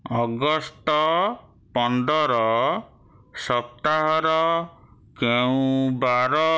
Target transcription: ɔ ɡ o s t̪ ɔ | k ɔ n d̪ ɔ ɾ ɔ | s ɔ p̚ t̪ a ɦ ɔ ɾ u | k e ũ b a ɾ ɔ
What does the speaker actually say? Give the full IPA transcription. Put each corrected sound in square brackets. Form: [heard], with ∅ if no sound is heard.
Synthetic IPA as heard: ɔ ɡ [ɔ] s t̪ ɔ | [p] ɔ n d̪ ɔ ɾ ɔ | s ɔ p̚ t̪ a ɦ ɔ ɾ [ɔ] | k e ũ b a ɾ ɔ